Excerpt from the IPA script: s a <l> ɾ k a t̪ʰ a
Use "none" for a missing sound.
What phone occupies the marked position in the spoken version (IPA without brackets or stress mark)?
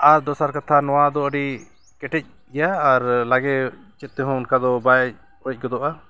none